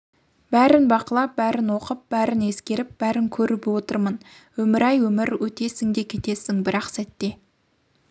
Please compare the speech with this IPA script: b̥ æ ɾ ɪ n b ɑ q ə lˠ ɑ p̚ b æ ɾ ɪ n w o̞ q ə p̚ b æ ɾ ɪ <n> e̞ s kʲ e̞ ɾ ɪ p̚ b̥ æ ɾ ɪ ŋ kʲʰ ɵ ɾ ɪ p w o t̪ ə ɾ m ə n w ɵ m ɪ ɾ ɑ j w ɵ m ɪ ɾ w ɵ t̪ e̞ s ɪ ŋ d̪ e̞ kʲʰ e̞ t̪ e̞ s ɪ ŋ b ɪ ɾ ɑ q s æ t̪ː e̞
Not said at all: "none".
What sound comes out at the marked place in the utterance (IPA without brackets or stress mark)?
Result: n